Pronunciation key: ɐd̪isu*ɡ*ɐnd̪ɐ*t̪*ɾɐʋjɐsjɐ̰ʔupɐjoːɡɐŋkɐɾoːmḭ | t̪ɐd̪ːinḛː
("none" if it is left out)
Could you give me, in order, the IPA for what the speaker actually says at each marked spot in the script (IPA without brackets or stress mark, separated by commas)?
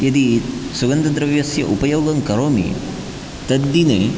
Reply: ɡ, d̪